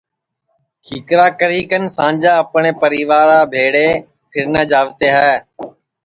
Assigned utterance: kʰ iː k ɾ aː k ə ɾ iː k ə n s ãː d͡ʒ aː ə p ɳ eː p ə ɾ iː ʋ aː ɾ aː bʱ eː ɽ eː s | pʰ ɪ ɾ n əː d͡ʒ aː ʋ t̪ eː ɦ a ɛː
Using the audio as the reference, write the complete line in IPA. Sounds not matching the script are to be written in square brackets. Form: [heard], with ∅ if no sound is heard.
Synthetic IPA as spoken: kʰ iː k ɾ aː k ə ɾ iː k ə n s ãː d͡ʒ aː ə p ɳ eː p ə ɾ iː ʋ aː ɾ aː bʱ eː ɽ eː [∅] | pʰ ɪ ɾ n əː d͡ʒ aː ʋ t̪ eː ɦ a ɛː